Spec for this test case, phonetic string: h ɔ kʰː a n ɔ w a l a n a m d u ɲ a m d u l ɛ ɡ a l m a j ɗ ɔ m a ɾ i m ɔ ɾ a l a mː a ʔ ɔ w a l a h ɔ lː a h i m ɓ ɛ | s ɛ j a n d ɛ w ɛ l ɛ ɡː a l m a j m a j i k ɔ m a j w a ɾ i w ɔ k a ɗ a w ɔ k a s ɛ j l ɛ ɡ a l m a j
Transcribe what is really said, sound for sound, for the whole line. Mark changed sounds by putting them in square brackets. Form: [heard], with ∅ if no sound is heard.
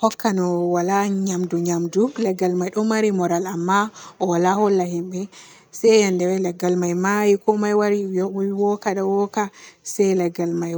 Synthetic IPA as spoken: h ɔ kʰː a n ɔ w a l a [ɲ] a m d u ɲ a m d u l ɛ ɡ a l m a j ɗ ɔ m a ɾ i m ɔ ɾ a l a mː a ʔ ɔ w a l a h ɔ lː a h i m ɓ ɛ | s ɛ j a n d ɛ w ɛ l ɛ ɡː a l m a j m a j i k ɔ m a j w a ɾ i w ɔ k a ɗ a w ɔ k a s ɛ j l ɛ ɡ a l m a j

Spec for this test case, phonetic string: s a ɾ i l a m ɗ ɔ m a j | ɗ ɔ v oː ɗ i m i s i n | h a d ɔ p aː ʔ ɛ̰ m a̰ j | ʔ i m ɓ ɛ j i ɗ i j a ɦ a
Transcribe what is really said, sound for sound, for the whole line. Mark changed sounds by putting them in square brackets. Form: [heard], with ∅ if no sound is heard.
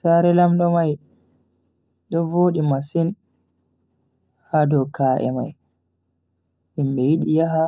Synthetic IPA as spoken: s a ɾ [ɛ] l a m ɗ ɔ m a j | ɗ ɔ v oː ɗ i m [a] s i n | h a d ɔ [k] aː ʔ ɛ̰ m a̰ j | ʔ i m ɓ ɛ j i ɗ i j a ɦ a

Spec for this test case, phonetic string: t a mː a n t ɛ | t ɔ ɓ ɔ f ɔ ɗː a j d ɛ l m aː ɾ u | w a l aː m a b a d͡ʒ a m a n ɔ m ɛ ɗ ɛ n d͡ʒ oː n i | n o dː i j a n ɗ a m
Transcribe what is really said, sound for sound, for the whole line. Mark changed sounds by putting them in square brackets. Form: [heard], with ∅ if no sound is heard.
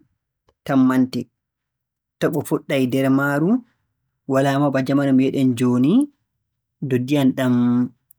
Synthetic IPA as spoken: t a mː a n t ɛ | t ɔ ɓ ɔ f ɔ ɗː a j d ɛ [ɾ] m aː ɾ u | w a l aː m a b a d͡ʒ a m a n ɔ m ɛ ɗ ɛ n d͡ʒ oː n i | [d] o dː i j a n ɗ a m

